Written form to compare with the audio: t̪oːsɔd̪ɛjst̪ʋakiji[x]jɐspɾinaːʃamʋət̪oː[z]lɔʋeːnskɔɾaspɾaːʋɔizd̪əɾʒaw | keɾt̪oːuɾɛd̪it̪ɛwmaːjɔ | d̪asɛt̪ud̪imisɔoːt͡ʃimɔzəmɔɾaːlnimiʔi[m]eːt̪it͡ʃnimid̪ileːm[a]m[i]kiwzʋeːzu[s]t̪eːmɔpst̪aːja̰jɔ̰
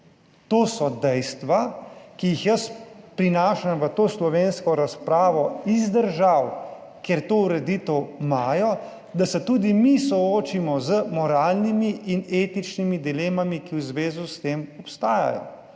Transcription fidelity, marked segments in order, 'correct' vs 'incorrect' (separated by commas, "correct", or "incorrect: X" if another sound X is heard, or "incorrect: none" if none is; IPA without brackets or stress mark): correct, incorrect: s, incorrect: n, correct, correct, correct